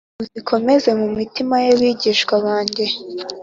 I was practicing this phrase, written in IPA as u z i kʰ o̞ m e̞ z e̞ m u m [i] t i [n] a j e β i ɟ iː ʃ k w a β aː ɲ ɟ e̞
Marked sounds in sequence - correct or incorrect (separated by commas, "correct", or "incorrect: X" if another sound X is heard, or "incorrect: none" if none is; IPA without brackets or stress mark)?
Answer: correct, incorrect: m